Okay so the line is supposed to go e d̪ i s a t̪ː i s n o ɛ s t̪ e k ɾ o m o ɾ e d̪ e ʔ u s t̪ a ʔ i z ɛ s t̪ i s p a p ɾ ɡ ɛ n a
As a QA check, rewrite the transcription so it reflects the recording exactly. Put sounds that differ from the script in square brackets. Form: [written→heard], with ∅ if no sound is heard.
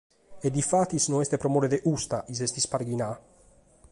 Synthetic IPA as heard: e d̪ i [s→f] a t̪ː i s n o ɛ s t̪ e [k→p] ɾ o m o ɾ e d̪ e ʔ u s t̪ a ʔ i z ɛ s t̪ i s p a [p→∅] ɾ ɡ [ɛ→i] n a